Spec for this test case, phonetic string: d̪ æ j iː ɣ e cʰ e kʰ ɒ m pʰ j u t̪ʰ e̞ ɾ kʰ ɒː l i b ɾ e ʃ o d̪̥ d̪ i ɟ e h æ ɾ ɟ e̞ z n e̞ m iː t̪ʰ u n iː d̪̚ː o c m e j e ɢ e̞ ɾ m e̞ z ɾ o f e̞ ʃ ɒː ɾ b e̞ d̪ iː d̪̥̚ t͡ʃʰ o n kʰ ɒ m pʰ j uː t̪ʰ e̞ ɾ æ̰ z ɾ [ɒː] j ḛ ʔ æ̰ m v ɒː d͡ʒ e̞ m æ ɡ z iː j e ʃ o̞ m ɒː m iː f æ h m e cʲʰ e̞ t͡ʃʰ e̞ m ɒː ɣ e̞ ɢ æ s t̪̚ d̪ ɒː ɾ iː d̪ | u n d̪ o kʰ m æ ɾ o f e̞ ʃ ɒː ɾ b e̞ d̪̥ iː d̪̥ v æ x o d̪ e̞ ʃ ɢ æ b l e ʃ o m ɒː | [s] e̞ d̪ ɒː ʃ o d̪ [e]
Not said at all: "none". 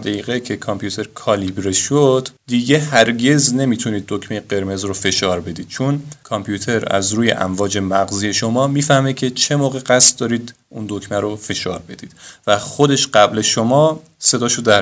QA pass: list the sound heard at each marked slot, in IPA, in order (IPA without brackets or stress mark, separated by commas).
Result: uː, s, æ